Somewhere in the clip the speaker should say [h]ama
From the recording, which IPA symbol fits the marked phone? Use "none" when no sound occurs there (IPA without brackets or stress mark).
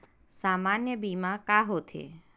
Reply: s